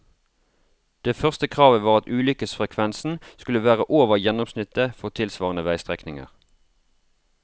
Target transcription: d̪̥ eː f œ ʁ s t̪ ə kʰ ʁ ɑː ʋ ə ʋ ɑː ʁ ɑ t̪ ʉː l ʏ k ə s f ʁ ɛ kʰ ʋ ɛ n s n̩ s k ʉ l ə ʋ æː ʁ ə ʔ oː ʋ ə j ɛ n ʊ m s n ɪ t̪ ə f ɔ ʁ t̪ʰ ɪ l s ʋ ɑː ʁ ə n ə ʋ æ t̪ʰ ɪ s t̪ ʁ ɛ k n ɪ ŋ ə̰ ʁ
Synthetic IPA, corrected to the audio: d̪̥ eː f œ ʁ s t̪ ə kʰ ʁ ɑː ʋ ə ʋ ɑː ʁ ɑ t̪ ʉː l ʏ k ə s f ʁ ɛ kʰ ʋ ɛ n s n̩ s k ʉ l ə ʋ æː ʁ ə ʔ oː ʋ ə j ɛ n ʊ m s n ɪ t̪ ə f ɔ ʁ t̪ʰ ɪ l s ʋ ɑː ʁ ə n ə ʋ æ ɪ s t̪ ʁ ɛ k n ɪ ŋ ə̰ ʁ